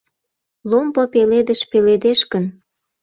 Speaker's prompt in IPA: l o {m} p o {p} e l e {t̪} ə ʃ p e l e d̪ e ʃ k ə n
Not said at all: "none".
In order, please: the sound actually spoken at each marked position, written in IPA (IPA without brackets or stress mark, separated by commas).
m, p, d̪